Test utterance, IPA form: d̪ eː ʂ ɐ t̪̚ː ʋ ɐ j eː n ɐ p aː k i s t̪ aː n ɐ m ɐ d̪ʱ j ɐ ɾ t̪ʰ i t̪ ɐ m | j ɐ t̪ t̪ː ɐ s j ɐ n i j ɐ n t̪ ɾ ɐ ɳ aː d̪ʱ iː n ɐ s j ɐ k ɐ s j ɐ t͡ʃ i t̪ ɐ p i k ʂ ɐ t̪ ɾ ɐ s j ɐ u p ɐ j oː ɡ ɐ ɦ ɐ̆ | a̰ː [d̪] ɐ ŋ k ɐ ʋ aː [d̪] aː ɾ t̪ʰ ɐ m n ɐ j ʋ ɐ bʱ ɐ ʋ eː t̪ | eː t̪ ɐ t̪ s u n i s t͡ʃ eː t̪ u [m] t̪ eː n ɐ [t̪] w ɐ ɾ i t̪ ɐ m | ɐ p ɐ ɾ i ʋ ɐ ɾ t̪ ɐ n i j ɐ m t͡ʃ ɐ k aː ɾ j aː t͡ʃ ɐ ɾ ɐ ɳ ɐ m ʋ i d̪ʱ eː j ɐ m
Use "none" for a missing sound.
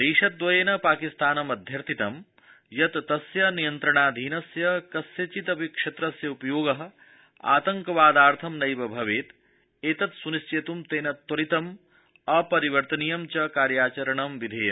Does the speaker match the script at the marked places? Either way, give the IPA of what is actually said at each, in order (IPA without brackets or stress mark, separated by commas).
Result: t̪, d̪, m, t̪